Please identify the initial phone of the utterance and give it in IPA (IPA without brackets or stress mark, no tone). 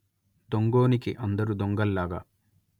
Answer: d̪